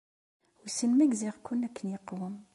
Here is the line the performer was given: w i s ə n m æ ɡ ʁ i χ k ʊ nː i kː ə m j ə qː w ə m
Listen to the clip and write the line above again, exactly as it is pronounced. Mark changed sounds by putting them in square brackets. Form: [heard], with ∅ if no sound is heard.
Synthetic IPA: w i s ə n m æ ɡ [z] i [ʁ] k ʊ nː [æ] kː ə [n] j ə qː w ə m

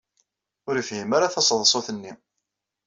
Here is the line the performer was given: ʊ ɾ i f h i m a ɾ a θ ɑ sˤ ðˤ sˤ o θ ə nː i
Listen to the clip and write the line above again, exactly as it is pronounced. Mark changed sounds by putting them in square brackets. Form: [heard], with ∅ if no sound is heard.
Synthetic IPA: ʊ ɾ i f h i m a ɾ a θ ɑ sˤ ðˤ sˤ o θ ə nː i

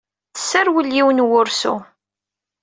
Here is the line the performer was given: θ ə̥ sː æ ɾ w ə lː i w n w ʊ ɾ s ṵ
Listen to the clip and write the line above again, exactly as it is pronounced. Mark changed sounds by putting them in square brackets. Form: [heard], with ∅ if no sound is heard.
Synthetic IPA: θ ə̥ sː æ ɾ w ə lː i w n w ʊ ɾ s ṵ

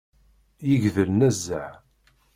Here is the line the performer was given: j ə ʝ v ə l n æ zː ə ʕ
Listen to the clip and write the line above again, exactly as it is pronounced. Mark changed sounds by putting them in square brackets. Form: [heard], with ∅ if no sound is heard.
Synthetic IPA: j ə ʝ [ð] ə l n æ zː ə ʕ

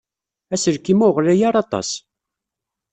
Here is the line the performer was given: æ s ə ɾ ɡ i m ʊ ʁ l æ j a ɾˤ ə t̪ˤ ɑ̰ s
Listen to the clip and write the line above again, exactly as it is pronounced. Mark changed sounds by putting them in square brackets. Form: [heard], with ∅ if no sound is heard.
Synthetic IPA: æ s ə ɾ [k] i m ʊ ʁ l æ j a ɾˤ [ɑ] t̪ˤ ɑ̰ s

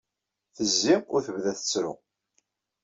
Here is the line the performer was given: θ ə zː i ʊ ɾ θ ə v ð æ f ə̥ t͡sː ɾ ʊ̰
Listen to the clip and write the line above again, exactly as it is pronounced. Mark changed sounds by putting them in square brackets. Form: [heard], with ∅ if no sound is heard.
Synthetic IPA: θ ə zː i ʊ ɾ θ ə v ð æ [θ] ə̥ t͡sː ɾ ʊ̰

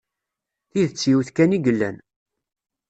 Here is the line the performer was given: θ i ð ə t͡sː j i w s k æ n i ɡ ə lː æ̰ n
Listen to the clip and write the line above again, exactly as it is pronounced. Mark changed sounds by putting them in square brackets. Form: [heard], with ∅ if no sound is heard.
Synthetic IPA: θ i ð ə t͡sː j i w [θ] k æ n i ɡ ə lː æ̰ n

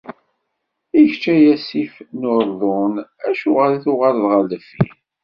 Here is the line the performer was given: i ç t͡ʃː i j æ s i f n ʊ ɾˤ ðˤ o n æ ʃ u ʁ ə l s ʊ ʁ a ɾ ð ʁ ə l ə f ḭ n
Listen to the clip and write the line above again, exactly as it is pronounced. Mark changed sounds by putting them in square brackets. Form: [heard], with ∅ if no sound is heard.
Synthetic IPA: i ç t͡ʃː [æ] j æ s i f n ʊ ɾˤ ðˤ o n æ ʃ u ʁ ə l [θ] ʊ ʁ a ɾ ð ʁ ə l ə f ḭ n

